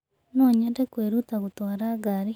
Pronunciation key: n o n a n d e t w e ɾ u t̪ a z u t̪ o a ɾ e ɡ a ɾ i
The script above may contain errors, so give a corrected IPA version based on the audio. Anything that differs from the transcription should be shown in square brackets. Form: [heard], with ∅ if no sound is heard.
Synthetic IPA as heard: n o [ɲ] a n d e [k] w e ɾ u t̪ a [ɣ] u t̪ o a ɾ [a] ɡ a ɾ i

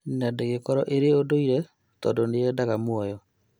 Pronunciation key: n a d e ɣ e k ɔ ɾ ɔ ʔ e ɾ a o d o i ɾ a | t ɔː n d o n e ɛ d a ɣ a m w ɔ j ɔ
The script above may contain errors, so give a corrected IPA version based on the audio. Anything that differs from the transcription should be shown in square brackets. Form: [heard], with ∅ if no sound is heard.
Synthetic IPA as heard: n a d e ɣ e k ɔ ɾ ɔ ʔ e ɾ [e] o d o i ɾ [ɛ] | t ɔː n d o n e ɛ d a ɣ a m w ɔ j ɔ

